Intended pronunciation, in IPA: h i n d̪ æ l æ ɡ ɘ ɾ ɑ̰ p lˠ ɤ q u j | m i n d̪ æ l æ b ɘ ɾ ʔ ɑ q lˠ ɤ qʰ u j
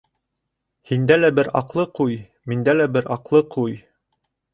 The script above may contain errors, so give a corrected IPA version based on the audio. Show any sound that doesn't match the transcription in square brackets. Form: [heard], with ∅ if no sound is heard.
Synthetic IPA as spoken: h i n d̪ æ l æ [b] ɘ ɾ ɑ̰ [q] lˠ ɤ q u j | m i n d̪ æ l æ b ɘ ɾ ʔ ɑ q lˠ ɤ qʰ u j